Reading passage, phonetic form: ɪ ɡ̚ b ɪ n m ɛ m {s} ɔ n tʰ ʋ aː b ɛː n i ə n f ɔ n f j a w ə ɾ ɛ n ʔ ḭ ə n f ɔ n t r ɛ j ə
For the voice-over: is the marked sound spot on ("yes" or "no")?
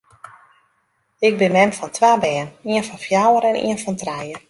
no